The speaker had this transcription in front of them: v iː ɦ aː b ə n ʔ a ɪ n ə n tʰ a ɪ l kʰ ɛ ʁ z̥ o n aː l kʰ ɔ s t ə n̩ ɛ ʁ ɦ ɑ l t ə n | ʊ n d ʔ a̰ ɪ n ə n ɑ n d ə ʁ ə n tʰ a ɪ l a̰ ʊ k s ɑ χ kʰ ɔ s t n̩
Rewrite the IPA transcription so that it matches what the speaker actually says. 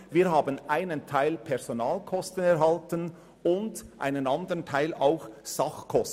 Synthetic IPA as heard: v iː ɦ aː b ə n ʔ a ɪ n ə n tʰ a ɪ l pʰ ɛ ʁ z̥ o n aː l kʰ ɔ s t ə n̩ ɛ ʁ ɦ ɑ l t ə n | ʊ n d ʔ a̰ ɪ n ə n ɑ n d ə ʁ ə n tʰ a ɪ l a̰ ʊ x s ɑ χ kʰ ɔ s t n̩

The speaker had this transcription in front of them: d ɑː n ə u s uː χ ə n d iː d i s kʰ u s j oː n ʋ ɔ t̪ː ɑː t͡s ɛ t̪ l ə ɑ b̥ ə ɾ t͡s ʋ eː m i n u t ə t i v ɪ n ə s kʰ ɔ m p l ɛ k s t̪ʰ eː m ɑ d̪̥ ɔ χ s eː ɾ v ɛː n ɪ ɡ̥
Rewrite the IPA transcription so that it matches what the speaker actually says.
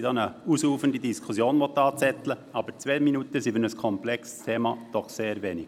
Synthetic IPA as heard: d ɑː n ə u s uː f ə n d i d i s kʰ u s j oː n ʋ ɔ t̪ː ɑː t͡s ɛ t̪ l ə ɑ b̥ ə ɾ t͡s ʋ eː m i n u t ə s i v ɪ n ə s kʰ ɔ m p l ɛ k s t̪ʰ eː m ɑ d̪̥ ɔ χ s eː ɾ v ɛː n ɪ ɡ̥

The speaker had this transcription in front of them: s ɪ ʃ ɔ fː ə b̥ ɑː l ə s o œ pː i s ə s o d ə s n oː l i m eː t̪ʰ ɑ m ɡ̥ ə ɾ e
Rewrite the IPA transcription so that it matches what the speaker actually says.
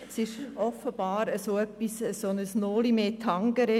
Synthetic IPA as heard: s ɪ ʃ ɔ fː ə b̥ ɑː ɾ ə s o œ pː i s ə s o n ə s n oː l i m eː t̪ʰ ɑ ŋ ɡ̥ ə ɾ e

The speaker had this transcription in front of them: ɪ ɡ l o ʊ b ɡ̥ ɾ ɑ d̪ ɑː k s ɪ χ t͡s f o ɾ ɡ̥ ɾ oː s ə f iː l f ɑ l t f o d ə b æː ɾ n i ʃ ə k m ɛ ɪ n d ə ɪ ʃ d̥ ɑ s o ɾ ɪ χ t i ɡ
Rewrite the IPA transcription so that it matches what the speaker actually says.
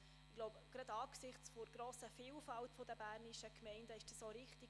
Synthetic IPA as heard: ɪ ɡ l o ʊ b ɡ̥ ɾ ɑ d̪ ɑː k s ɪ χ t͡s f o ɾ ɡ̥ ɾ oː s ə f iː l f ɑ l t f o d ə b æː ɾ n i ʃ ə k m ɛ ɪ n d ə ɪ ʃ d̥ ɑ s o ɾ ɪ χ t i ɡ

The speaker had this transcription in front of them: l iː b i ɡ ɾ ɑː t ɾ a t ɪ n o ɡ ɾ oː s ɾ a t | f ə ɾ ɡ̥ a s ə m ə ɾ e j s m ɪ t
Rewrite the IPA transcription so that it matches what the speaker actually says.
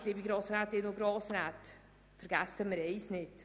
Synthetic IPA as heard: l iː b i ɡ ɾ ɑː s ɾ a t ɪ n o ɡ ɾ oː s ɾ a t | f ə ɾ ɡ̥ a s ə m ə ɾ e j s n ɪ t

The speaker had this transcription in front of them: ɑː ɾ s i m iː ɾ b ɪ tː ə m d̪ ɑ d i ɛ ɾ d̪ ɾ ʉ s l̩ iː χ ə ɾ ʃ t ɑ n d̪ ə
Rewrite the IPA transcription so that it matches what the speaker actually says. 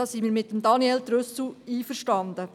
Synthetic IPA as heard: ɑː s i m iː ɾ m ɪ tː ə m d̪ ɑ n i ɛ l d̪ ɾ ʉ s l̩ iː f ə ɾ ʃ t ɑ n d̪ ə

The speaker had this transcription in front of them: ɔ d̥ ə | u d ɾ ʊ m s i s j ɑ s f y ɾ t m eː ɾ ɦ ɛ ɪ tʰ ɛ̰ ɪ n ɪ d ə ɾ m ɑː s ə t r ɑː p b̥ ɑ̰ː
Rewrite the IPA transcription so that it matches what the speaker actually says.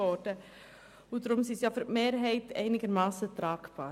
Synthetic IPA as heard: ɔ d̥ ə | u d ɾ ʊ m s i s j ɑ f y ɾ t m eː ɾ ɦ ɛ ɪ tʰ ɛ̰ ɪ n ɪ ɡ ə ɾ m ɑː s ə t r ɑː k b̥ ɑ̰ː

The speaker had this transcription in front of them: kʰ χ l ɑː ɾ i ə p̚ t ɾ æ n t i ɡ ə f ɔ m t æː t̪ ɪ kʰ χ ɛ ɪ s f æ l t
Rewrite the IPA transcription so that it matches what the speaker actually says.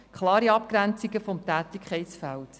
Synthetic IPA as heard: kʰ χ l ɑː ɾ i ɑ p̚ k ɾ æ n t͡s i ɡ ə f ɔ m t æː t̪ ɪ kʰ χ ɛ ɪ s f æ l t

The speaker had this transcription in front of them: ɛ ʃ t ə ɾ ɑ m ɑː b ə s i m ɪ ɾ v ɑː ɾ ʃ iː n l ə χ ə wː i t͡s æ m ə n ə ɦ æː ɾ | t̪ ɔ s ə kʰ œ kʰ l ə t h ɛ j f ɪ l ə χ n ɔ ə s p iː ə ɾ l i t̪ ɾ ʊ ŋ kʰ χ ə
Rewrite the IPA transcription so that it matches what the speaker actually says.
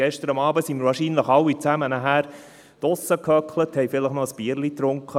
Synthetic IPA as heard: ɛ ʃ t ə ɾ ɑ m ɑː b ə s i m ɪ ɾ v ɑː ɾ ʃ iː n l ə χ ɑ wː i t͡s æ m ə n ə ɦ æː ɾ | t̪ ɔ s ə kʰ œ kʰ l ə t h ɛ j f ɪ l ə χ n ɔ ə s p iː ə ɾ l i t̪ ɾ ʊ ŋ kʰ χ ə

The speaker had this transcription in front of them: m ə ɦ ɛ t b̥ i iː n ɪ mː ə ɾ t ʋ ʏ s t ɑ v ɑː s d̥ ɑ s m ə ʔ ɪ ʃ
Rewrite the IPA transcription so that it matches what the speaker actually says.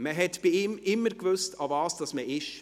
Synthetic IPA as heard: m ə ɦ ɛ t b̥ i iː m ɪ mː ə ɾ k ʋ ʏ s t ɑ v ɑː s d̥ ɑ s m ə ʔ ɪ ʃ

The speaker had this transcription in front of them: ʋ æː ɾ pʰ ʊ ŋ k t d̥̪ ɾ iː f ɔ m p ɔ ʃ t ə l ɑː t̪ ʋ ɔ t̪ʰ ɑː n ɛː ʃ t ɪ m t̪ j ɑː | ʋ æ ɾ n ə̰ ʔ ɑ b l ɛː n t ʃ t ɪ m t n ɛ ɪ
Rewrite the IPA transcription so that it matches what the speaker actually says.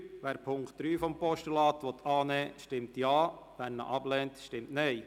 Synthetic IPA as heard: ʋ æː ɾ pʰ ʊ ŋ k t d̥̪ ɾ yː f ɔ m p ɔ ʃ t ə l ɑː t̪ ʋ ɔ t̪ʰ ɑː n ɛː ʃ t ɪ m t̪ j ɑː | ʋ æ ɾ n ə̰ ʔ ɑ b l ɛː n t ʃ t ɪ m t n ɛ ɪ

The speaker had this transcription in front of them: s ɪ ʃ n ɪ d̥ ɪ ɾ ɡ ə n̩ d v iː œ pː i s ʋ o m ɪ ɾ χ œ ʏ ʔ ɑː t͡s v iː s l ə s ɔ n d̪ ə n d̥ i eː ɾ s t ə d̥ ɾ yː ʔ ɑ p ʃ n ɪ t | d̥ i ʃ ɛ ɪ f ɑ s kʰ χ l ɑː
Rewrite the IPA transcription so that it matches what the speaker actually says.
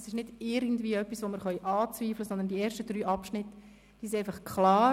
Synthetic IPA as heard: s ɪ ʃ n ɪ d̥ ɪ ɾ ɡ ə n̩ d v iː œ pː i s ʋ o m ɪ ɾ χ œ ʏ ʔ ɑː t͡s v iː f l ə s ɔ n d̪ ə n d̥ i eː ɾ ʃ t ə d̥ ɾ yː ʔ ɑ p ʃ n ɪ t | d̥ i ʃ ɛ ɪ f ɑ χ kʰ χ l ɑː

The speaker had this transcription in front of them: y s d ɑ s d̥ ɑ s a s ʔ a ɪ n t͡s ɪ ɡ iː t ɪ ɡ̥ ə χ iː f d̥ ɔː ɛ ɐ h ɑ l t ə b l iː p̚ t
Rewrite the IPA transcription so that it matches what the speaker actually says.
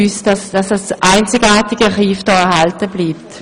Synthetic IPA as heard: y s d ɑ s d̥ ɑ s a s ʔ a ɪ n t͡s ɪ ɡ aː t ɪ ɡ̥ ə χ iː f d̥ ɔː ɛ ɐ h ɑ l t ə b l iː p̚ t

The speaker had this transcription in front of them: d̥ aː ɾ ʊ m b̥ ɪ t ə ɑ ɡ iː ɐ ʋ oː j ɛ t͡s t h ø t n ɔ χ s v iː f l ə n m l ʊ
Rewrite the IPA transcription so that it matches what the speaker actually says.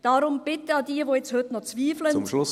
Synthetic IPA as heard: d̥ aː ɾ ʊ m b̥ ɪ t ə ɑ d iː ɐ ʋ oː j ɛ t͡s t h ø t n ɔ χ t͡s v iː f l ə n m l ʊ

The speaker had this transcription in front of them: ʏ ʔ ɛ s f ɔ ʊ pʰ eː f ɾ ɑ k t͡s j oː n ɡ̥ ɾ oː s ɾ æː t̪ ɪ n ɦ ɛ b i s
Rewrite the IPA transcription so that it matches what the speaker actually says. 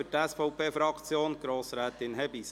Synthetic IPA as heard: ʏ t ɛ s f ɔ ʊ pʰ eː f ɾ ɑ k t͡s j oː n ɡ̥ ɾ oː s ɾ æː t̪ ɪ n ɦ ɛ b i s

